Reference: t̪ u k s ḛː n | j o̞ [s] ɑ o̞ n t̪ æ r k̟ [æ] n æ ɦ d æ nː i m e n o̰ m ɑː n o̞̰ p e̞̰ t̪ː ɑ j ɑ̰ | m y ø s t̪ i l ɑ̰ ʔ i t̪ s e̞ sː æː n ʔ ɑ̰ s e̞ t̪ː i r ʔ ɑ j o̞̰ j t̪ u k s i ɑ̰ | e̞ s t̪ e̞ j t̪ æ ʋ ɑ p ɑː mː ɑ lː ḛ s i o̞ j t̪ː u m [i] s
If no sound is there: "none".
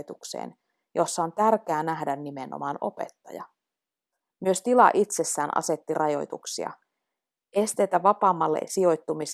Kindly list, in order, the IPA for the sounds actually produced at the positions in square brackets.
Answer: sː, æː, i

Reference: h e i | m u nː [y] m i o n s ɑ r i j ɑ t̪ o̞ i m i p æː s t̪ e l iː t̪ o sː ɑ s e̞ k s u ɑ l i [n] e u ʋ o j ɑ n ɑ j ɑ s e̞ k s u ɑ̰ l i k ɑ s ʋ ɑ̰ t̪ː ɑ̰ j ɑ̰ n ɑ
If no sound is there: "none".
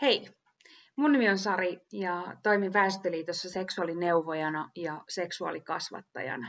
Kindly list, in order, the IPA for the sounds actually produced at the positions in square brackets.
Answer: y, n

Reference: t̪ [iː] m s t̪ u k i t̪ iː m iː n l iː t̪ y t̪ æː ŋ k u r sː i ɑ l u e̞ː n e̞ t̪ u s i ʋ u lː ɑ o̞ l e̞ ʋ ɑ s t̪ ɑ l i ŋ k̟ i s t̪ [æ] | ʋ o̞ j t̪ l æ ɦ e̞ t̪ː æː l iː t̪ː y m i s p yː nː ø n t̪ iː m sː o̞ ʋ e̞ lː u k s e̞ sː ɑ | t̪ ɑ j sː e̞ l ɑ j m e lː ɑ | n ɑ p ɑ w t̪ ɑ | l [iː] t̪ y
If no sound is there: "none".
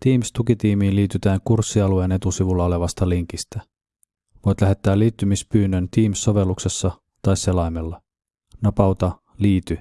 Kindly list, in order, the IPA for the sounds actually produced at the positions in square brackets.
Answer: iː, æ, iː

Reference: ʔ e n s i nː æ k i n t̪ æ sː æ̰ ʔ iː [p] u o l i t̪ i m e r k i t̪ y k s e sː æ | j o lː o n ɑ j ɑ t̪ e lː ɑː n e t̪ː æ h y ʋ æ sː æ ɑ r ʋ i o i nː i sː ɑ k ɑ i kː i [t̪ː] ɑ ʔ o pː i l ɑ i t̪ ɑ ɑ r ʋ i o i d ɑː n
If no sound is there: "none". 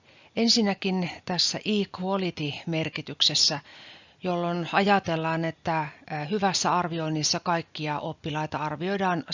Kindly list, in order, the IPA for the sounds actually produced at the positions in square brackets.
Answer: k, none

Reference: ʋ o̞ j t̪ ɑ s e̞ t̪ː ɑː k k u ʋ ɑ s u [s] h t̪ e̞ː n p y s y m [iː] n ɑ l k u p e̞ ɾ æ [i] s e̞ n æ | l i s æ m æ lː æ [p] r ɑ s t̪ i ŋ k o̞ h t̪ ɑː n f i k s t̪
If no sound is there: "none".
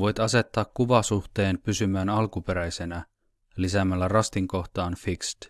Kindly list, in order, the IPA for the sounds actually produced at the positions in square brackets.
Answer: none, æː, j, none

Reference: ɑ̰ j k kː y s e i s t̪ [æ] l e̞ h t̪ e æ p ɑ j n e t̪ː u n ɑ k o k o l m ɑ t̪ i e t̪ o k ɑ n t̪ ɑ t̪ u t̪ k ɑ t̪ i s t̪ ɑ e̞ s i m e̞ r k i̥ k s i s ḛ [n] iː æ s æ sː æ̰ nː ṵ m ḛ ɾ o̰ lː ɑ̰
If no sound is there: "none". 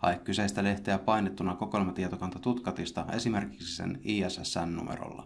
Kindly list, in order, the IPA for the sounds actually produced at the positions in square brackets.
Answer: æ, n

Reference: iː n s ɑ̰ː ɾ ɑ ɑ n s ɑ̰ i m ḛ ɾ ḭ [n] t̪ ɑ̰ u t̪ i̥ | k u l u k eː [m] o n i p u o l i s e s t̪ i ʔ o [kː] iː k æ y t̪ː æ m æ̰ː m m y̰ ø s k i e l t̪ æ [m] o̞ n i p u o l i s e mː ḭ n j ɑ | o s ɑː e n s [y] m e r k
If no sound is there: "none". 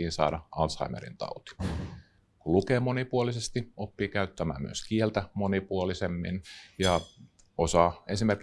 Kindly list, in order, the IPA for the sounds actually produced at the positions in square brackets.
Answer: n, m, pː, m, i

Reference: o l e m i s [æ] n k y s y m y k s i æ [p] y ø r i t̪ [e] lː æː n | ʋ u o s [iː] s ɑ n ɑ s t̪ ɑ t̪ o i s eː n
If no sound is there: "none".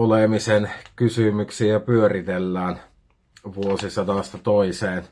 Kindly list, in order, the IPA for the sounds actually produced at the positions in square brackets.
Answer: e, p, e, i

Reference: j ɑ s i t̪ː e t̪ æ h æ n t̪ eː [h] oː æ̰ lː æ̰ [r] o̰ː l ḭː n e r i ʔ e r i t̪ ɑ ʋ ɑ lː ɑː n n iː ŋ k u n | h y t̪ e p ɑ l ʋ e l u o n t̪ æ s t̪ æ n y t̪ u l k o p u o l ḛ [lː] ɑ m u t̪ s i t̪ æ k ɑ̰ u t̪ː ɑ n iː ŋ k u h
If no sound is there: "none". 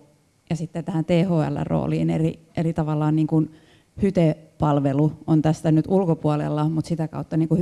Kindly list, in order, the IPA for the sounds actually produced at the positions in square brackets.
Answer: h, r, lː

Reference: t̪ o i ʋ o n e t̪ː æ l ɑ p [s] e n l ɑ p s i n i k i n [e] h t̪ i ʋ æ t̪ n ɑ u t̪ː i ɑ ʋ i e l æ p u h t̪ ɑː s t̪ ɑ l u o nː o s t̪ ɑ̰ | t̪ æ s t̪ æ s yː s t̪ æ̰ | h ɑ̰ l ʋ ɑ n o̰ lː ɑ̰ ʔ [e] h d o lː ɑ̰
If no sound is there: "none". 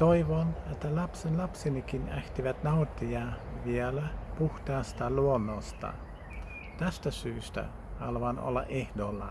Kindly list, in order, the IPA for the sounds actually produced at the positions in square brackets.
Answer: s, æ, e

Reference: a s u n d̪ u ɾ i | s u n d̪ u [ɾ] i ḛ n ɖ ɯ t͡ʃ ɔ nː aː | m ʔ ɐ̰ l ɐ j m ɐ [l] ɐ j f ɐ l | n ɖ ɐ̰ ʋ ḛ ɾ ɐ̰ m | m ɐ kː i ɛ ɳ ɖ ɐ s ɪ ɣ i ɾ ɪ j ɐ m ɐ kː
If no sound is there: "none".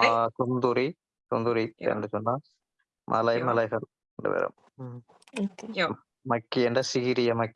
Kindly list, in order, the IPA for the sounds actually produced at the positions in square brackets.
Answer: ɾ, l

